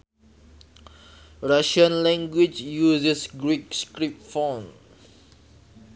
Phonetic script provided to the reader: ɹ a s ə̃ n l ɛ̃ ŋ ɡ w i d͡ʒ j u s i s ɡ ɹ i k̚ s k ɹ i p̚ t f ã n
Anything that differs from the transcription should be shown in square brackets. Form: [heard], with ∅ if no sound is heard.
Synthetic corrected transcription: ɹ a [ʃ] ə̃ n l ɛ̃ ŋ ɡ w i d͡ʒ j u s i s ɡ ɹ i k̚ s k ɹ i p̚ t f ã n